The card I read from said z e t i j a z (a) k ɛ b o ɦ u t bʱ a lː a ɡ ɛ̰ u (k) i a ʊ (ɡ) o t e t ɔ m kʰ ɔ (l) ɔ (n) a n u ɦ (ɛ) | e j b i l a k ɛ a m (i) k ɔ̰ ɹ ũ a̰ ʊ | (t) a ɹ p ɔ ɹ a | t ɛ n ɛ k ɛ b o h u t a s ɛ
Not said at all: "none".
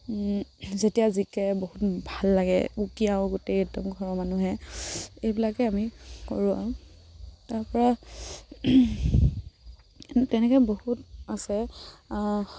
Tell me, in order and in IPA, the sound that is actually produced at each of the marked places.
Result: i, k, ɡ, ɹ, m, ɛ, i, t

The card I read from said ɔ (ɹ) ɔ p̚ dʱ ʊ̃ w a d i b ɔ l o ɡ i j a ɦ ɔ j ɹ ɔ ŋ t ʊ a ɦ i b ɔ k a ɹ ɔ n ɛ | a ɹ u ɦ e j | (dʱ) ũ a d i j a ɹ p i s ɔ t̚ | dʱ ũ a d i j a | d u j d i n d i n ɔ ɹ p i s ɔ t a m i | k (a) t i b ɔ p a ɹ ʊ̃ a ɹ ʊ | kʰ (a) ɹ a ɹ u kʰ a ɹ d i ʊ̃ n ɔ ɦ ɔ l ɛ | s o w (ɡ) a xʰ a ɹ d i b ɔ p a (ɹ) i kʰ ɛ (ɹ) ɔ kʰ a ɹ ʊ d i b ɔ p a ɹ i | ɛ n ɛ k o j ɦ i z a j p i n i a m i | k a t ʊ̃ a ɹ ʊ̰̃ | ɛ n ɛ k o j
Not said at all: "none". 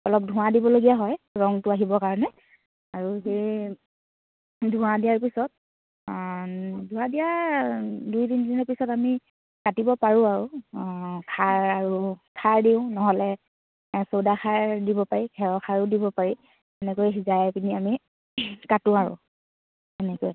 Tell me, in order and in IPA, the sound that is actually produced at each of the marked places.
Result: l, dʱ, a, a, d, ɹ, ɹ

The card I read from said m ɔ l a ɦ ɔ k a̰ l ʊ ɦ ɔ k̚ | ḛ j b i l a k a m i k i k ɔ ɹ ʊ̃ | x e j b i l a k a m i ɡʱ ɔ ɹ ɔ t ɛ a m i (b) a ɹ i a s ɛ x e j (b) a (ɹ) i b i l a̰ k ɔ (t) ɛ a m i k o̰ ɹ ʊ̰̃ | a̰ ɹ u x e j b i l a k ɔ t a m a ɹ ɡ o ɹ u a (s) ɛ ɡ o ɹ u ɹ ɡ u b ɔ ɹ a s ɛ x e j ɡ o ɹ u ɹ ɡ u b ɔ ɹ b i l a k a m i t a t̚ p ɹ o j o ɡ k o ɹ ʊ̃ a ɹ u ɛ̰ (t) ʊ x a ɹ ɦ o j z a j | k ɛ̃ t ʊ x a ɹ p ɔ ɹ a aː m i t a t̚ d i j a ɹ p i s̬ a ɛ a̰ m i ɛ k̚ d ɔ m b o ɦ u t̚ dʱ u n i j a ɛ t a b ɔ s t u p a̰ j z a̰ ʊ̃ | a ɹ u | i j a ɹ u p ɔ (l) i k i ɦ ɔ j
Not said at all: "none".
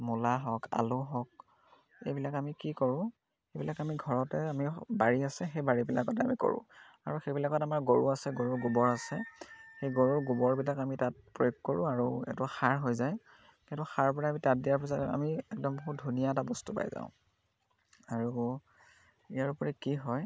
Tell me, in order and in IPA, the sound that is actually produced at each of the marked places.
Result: b, b, ɹ, t, s, t, ɹ

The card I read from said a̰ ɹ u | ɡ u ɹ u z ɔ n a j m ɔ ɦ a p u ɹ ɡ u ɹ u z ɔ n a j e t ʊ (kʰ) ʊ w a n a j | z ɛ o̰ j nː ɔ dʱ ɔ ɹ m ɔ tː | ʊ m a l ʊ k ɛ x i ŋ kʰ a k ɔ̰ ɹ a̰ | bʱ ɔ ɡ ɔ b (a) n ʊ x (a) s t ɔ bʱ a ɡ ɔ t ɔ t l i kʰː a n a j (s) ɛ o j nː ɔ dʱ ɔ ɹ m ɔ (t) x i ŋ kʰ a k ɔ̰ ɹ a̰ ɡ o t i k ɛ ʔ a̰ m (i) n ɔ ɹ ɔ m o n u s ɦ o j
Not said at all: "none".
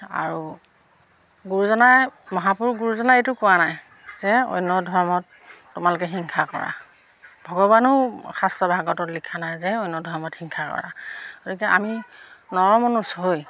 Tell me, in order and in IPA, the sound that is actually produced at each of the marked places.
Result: k, a, a, z, t, i

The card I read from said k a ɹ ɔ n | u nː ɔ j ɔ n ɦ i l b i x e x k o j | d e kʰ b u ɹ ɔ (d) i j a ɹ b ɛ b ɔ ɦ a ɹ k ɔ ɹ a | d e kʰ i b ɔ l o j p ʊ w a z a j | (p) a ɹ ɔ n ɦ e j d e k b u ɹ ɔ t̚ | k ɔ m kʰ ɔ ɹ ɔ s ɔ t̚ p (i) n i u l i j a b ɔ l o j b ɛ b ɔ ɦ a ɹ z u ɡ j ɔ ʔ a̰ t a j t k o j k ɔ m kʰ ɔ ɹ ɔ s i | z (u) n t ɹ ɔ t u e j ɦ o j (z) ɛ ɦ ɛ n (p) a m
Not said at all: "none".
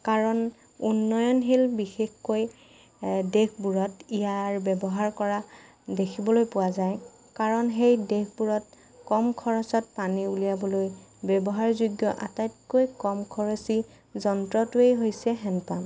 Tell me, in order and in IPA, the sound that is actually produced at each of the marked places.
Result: t, k, a, ɔ, s, p

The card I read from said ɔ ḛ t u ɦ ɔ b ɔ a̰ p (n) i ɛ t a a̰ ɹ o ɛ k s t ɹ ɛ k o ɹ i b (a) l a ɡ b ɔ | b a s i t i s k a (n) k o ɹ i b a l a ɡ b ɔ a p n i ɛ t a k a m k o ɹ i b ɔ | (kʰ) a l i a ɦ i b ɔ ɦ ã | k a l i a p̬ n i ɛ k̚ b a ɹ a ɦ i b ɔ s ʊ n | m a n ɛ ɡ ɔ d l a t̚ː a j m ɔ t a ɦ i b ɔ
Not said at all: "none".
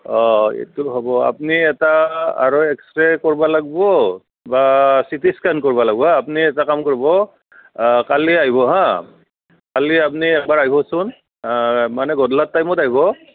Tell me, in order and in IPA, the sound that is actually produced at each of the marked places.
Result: n, a, n, k

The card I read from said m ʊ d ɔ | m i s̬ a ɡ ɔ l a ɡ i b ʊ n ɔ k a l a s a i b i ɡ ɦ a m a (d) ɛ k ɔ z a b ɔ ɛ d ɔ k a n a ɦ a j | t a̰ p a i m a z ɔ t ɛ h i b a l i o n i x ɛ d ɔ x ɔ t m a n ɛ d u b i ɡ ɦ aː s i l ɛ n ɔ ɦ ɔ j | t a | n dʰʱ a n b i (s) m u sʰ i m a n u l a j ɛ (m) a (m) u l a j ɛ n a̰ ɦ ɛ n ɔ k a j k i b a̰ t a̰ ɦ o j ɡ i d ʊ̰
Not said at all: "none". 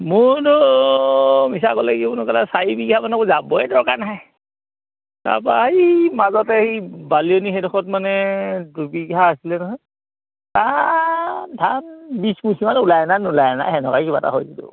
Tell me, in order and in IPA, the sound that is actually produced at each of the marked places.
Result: n, s, n, n

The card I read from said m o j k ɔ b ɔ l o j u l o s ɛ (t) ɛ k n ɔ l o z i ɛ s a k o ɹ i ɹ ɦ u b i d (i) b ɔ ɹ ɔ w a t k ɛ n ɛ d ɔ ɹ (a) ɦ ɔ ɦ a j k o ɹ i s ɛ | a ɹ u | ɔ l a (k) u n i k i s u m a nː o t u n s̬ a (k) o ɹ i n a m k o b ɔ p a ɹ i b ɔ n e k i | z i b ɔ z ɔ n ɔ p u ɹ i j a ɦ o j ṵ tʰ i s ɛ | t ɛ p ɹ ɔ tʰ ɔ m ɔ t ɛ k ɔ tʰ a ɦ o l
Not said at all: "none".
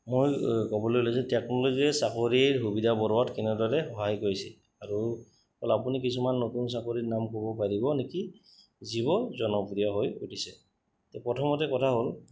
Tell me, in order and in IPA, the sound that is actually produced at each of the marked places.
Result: t, a, ɛ, p, k

